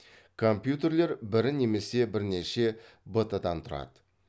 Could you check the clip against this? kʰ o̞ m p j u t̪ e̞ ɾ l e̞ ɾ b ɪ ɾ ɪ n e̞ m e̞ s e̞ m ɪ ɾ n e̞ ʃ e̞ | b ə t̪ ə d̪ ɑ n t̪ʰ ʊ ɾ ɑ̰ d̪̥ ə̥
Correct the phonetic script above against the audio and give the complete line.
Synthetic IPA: kʰ o̞ m p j u t̪ e̞ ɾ l e̞ ɾ b ɪ ɾ ɪ n e̞ m e̞ s e̞ b ɪ ɾ n e̞ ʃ e̞ | b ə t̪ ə d̪ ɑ n t̪ʰ ʊ ɾ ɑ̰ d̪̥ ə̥